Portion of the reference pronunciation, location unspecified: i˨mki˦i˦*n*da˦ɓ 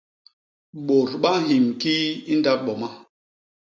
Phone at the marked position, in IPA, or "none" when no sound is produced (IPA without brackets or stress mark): n